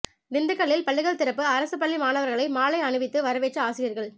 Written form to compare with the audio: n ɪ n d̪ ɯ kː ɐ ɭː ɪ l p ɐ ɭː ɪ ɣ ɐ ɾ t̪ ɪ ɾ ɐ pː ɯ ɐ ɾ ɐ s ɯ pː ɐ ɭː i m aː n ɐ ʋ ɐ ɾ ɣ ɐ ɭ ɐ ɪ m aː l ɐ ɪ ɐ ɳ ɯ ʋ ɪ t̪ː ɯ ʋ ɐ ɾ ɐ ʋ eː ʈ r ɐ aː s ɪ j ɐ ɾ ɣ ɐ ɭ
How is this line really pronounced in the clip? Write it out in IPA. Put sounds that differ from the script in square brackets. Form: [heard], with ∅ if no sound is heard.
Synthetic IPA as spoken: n ɪ n d̪ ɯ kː ɐ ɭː ɪ l p ɐ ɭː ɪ ɣ ɐ [ɭ] t̪ ɪ ɾ ɐ pː ɯ ɐ ɾ ɐ s ɯ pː ɐ ɭː i m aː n ɐ ʋ ɐ ɾ ɣ ɐ ɭ ɐ ɪ m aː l ɐ ɪ ɐ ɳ ɯ ʋ ɪ t̪ː ɯ ʋ ɐ ɾ ɐ ʋ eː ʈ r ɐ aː s ɪ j ɐ ɾ ɣ ɐ ɭ